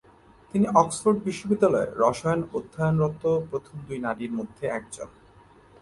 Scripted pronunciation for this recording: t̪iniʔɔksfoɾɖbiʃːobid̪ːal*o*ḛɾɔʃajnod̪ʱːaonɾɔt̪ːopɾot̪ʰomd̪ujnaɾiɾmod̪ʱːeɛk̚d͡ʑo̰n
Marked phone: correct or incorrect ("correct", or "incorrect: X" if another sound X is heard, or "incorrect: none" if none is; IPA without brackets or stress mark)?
incorrect: ɔ